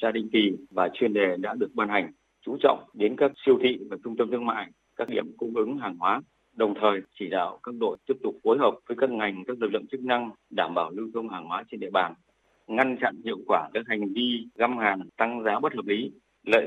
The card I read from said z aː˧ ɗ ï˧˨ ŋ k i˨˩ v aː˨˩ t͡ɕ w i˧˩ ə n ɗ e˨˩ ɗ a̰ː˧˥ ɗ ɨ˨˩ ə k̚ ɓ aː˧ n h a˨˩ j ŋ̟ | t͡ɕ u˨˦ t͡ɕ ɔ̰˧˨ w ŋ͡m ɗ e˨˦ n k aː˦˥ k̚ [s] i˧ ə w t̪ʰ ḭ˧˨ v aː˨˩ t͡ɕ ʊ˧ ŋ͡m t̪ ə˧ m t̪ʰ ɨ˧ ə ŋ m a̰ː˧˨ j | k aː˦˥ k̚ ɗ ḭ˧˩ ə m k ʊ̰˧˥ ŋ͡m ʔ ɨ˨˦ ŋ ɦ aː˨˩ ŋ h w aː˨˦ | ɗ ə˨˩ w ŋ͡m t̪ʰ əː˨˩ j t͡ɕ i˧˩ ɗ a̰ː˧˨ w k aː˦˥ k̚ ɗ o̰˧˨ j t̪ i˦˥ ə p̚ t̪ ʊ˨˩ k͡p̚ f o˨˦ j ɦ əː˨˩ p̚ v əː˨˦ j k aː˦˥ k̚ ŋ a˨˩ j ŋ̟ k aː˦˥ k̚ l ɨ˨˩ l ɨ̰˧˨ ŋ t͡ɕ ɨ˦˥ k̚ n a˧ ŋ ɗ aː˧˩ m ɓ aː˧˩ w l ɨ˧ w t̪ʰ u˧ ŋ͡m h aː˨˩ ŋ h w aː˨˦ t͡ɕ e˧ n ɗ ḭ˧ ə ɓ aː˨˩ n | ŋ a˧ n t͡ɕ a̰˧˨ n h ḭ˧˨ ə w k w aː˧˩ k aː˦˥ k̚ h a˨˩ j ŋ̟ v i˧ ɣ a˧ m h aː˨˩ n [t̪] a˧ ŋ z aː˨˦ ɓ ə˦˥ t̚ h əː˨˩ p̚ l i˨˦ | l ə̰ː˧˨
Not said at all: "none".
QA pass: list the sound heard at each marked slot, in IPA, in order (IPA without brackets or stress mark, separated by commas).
s, t̪